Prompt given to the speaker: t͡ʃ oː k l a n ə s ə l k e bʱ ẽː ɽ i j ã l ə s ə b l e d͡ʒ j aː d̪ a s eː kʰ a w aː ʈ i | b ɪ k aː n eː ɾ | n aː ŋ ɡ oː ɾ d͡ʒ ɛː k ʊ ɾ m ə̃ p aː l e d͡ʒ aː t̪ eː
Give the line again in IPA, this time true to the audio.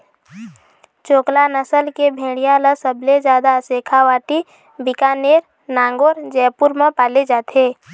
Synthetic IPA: t͡ʃ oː k l a n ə s ə l k e bʱ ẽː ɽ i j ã l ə s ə b l e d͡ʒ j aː d̪ a s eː kʰ a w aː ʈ i | b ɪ k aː n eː ɾ | n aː ŋ ɡ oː ɾ d͡ʒ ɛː p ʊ ɾ m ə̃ p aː l e d͡ʒ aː t̪ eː

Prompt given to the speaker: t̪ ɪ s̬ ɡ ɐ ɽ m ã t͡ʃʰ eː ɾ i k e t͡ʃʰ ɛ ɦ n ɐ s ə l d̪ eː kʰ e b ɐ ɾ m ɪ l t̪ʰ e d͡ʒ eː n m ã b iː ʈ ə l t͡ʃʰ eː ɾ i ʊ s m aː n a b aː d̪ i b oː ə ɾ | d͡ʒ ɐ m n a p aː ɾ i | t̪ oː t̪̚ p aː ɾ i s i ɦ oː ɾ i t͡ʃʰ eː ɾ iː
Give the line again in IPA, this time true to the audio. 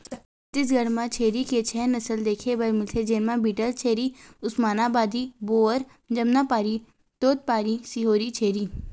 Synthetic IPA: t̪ ɪ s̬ ɡ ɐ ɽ m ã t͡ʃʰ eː ɾ i k e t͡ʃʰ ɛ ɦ n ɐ s ə l d̪ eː kʰ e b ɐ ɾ m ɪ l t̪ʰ e d͡ʒ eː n m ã b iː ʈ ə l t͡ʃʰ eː ɾ i ʊ s m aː n a b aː d̪ i b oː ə ɾ | d͡ʒ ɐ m n a p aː ɾ i | t̪ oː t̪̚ p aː ɾ i s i ɦ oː ɾ i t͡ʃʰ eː ɾ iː

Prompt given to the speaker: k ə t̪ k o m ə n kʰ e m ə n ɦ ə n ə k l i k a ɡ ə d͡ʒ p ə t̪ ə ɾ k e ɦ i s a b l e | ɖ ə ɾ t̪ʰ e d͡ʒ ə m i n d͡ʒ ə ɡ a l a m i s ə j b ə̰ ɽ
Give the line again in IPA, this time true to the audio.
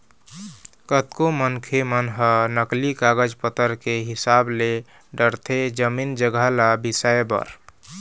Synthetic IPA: k ə t̪ k o m ə n kʰ e m ə n ɦ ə n ə k l i k a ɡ ə d͡ʒ p ə t̪ ə ɾ k e ɦ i s a b l e | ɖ ə ɾ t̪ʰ e d͡ʒ ə m i n d͡ʒ ə ɡ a l a b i s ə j b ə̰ ɾ

